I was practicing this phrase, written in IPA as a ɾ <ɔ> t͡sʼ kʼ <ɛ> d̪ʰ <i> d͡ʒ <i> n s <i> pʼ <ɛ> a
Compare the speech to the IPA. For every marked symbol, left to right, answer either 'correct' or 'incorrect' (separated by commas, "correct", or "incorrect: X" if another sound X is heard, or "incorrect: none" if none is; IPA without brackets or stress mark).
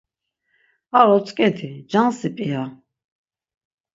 correct, correct, correct, incorrect: a, correct, incorrect: i